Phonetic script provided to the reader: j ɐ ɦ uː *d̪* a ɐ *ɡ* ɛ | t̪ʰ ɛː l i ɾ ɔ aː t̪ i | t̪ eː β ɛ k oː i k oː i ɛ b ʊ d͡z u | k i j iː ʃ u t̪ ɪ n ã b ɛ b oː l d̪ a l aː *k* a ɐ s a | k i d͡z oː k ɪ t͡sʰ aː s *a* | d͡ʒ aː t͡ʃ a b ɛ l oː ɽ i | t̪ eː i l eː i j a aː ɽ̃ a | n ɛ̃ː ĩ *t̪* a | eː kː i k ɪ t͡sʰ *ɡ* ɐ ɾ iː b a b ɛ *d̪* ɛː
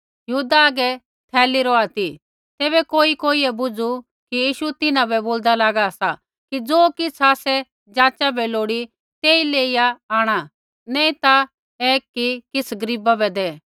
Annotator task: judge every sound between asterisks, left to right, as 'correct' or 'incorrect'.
correct, correct, incorrect, incorrect, correct, correct, correct

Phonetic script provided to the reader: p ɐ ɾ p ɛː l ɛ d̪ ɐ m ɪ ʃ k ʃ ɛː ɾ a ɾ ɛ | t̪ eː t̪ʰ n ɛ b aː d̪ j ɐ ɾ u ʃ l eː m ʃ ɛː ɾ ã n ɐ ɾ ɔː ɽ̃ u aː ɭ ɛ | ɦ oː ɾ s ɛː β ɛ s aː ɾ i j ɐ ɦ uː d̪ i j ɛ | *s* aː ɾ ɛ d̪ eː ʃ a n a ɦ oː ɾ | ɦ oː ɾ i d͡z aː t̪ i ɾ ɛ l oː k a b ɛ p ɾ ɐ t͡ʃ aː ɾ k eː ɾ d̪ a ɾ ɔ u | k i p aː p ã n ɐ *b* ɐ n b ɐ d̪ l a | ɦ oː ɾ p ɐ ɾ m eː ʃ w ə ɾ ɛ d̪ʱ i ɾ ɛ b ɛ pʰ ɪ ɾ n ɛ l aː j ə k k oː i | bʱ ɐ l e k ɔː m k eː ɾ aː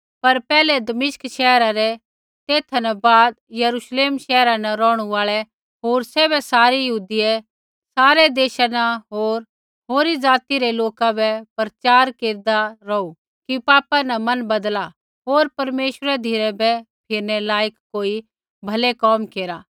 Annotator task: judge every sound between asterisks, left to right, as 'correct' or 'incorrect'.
correct, incorrect

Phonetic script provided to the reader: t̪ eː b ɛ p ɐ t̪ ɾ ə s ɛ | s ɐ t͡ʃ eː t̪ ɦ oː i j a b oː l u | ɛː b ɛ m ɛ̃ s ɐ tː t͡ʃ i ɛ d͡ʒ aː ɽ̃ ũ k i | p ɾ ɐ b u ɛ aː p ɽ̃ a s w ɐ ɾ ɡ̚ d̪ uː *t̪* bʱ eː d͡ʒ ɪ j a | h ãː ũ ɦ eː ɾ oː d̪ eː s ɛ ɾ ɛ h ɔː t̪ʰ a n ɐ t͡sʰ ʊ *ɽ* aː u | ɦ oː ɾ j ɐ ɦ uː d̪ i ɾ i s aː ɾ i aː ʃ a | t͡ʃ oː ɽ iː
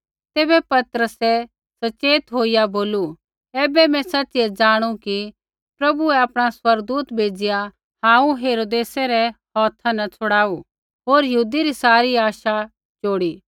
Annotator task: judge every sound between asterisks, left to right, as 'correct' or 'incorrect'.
correct, correct

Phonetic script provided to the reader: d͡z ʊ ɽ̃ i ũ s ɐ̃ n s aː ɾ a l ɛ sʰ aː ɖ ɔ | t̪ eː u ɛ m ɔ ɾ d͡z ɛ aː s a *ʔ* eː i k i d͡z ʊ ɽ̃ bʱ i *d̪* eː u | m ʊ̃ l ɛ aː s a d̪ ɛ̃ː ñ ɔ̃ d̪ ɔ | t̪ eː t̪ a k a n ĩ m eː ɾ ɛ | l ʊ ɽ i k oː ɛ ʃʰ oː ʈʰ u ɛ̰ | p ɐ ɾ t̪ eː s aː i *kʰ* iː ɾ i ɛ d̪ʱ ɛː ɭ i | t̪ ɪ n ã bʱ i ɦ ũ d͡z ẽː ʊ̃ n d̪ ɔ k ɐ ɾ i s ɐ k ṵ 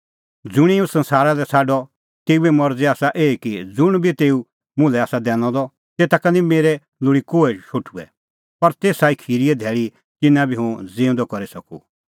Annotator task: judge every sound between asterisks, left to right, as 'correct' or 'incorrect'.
correct, incorrect, correct

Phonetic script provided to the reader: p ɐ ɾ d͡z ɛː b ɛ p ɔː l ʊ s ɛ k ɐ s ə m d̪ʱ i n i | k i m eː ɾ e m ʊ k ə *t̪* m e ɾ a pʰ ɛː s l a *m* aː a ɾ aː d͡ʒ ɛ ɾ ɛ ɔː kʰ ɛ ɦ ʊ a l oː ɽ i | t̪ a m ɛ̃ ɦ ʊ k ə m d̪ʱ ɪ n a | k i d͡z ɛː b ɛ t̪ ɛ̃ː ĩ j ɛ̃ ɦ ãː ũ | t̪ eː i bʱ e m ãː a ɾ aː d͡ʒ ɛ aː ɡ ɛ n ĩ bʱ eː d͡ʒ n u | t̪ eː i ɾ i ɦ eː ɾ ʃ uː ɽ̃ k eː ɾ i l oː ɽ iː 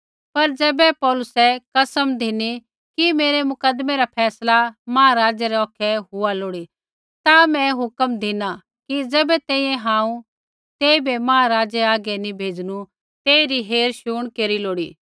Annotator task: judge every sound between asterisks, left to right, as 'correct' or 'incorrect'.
incorrect, correct

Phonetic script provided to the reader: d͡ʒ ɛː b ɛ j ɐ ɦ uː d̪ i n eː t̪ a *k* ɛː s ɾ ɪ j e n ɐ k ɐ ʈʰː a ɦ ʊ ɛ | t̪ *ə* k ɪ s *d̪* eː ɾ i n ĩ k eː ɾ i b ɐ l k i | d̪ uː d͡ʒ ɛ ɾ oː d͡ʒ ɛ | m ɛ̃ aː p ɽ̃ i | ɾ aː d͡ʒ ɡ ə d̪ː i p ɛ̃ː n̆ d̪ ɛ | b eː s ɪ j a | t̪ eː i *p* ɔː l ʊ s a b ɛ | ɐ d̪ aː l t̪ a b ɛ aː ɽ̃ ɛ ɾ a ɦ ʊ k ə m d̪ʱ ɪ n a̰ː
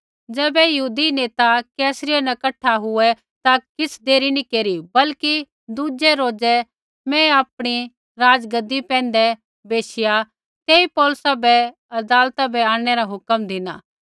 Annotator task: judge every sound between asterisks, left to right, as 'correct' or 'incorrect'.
correct, incorrect, correct, correct

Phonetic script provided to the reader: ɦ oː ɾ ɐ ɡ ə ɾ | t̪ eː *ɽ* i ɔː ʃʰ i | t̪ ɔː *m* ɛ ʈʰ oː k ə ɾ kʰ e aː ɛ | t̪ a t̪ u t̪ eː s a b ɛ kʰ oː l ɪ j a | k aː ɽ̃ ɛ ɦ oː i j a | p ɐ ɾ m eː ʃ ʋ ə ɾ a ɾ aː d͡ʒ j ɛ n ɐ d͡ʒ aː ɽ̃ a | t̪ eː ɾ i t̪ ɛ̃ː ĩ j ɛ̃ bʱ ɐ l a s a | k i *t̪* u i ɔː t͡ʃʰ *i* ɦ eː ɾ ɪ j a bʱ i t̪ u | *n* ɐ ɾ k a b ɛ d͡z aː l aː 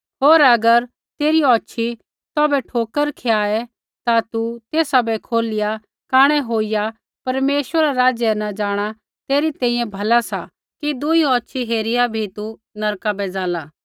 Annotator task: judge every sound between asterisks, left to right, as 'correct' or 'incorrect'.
incorrect, incorrect, incorrect, correct, correct

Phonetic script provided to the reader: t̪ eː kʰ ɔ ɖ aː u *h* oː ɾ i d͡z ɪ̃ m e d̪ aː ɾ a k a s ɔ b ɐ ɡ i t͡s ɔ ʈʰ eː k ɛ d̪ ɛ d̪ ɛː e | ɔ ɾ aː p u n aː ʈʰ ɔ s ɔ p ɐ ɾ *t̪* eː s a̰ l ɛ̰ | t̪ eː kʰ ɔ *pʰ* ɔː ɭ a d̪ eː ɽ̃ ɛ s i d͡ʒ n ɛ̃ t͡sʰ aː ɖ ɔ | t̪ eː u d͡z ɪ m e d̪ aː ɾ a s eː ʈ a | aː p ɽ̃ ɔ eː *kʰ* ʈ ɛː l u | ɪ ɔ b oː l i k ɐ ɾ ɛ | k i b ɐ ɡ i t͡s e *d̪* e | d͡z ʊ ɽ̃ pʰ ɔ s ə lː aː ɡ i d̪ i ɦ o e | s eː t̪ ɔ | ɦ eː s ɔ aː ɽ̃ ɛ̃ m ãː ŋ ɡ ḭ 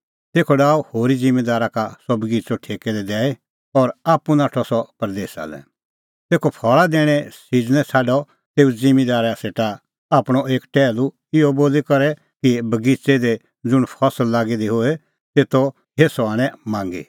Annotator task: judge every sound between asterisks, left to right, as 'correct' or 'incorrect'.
correct, incorrect, correct, incorrect, correct

